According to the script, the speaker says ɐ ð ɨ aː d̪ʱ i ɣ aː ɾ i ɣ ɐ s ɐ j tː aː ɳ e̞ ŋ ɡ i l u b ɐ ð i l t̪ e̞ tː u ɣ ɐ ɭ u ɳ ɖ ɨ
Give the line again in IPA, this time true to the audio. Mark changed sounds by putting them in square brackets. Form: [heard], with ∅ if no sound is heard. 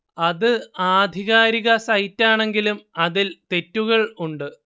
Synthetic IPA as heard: ɐ ð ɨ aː d̪ʱ i ɣ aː ɾ i ɣ ɐ s ɐ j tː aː ɳ e̞ ŋ ɡ i l u [m] ɐ ð i l t̪ e̞ tː u ɣ ɐ ɭ u ɳ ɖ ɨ